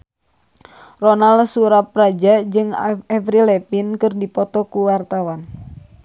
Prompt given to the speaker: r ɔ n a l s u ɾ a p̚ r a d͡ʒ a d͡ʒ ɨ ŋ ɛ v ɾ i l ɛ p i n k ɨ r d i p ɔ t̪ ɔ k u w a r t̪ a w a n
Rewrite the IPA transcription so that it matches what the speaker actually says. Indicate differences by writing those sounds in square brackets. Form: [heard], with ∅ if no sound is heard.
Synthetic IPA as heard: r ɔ n a l s u ɾ a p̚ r a d͡ʒ a d͡ʒ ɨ ŋ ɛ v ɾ i l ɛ p i n k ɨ r d i p ɔ t̪ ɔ k u w a r t̪ a w a n